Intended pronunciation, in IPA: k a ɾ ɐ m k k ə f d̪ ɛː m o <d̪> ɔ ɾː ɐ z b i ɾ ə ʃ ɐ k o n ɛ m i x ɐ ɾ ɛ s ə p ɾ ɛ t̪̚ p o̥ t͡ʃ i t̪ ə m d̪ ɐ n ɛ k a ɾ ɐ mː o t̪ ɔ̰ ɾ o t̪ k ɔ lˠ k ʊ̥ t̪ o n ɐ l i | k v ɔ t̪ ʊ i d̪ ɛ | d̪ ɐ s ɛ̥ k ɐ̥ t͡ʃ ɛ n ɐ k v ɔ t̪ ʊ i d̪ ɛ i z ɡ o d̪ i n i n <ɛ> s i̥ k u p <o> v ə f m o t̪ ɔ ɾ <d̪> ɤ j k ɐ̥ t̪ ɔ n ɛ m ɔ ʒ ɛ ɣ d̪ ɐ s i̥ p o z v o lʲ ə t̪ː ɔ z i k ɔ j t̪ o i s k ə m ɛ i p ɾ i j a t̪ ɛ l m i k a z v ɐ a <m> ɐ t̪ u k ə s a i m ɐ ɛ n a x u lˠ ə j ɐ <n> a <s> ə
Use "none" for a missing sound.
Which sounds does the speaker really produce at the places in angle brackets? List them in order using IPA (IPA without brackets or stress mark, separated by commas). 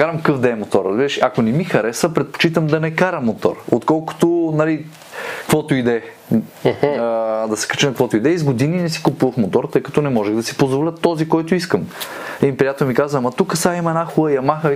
t̪, ɛ, u, t̪, m, m, x